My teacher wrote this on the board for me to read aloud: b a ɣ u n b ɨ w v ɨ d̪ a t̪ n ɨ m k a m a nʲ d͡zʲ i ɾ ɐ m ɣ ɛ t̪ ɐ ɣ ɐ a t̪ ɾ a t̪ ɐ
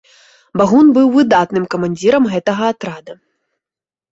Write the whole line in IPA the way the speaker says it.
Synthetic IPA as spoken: b a ɣ u n b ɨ w v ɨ d̪ a t̪ n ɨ m k ɐ m a nʲ d͡zʲ i ɾ ɐ m ɣ ɛ t̪ ɐ ɣ ɐ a t̪ ɾ a d̪ ɐ